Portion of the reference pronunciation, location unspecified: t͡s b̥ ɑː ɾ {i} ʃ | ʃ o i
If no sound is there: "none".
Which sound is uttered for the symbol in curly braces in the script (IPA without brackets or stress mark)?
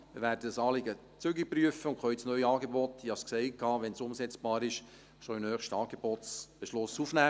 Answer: ɪ